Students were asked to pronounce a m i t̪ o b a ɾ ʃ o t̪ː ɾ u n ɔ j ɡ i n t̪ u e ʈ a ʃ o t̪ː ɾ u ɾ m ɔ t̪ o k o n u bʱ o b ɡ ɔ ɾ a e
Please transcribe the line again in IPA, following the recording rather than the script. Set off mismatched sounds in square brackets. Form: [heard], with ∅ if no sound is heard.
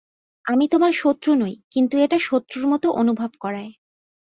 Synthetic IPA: a m i t̪ o [m] a ɾ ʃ o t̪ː ɾ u n [o] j [k] i n t̪ u e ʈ a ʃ o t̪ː ɾ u ɾ m ɔ t̪ o [ʔ] o n u bʱ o b [k] ɔ ɾ a e